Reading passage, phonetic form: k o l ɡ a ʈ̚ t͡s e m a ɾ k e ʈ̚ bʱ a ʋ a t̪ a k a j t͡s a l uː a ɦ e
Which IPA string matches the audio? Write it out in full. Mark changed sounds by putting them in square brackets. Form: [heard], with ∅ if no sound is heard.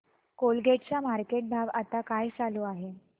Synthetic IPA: k o l ɡ [e] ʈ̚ t͡s [a] m a ɾ k e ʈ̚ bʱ a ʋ a t̪ a k a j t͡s a l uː a ɦ e